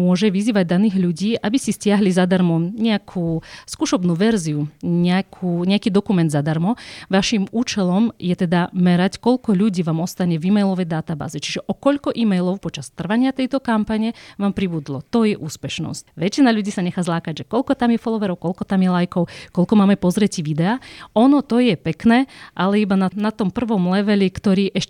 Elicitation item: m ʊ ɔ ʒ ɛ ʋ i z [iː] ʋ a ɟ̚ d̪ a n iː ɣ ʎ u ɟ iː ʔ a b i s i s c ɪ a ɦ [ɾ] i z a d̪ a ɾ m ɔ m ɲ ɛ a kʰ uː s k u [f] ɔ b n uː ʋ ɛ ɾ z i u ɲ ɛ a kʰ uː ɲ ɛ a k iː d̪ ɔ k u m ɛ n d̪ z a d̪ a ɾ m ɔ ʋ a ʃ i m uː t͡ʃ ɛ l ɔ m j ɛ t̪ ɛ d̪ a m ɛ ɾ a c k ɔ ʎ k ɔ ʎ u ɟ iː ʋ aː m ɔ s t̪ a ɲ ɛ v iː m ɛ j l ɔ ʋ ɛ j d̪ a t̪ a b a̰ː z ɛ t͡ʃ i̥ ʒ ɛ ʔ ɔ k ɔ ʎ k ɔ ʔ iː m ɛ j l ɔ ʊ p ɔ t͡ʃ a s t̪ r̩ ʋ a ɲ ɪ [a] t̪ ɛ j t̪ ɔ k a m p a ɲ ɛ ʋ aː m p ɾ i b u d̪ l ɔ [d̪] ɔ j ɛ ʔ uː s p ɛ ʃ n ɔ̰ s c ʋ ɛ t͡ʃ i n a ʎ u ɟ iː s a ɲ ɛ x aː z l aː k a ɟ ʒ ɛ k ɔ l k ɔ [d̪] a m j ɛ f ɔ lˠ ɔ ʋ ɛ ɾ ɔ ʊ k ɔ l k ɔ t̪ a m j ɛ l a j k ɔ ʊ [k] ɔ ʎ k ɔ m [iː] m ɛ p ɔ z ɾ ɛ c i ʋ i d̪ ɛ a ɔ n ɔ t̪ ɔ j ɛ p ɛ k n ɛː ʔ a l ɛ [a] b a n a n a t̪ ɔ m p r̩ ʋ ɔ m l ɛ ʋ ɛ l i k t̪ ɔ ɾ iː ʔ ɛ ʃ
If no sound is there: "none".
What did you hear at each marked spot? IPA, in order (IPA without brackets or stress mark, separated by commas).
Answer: iː, l, ʃ, a, t̪, t̪, k, aː, i